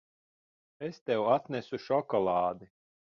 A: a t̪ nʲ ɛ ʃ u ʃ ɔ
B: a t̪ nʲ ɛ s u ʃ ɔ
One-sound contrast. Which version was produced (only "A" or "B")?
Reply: B